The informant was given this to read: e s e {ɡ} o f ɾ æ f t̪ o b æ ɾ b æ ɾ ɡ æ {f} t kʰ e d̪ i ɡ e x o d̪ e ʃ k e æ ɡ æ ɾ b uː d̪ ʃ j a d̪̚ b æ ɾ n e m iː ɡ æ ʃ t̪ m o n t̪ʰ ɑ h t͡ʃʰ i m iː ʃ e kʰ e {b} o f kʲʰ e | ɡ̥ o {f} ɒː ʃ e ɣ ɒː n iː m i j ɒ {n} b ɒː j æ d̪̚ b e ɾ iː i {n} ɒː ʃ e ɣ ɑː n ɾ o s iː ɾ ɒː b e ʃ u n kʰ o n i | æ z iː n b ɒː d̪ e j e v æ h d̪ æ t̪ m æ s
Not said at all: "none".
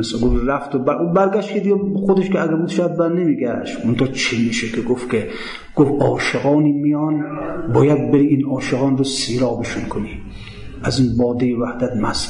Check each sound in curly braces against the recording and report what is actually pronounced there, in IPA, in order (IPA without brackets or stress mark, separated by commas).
ɡ, ʃ, ɡ, f, n, n